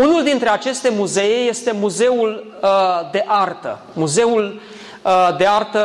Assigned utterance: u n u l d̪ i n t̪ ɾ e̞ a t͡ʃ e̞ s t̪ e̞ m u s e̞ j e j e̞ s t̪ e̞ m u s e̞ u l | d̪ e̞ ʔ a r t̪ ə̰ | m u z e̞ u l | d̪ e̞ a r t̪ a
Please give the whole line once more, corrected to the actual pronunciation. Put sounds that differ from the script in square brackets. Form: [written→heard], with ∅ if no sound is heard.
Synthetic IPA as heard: u n u l d̪ i n t̪ ɾ e̞ a t͡ʃ e̞ s t̪ e̞ m u [s→z] e̞ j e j e̞ s t̪ e̞ m u [s→z] e̞ u l | d̪ e̞ ʔ a r t̪ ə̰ | m u z e̞ u l | d̪ e̞ a r t̪ [a→ə]